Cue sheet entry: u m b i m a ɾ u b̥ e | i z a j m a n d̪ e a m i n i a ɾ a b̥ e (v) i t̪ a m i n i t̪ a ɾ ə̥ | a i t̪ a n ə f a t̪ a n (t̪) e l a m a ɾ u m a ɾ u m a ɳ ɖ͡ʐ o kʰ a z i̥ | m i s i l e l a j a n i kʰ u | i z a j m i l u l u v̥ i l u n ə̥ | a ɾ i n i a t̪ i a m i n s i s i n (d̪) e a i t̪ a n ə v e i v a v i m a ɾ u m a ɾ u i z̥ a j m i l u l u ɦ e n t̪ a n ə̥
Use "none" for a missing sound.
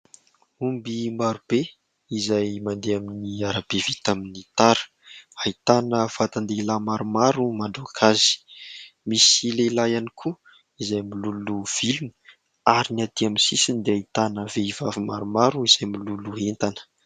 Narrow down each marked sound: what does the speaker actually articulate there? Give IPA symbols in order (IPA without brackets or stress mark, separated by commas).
v, d̪, d̪